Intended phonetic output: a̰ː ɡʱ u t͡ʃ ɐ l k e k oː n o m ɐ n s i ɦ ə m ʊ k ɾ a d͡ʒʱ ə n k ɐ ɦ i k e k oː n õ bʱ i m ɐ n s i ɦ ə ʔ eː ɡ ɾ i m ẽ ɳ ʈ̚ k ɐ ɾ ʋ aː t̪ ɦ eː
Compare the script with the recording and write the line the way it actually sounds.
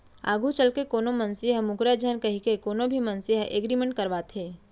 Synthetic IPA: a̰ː ɡʱ u t͡ʃ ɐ l k e k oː n o m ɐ n s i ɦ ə m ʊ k ɾ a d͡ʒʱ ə n k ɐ ɦ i k e k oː n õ bʱ i m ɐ n s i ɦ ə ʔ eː ɡ ɾ i m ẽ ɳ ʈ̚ k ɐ ɾ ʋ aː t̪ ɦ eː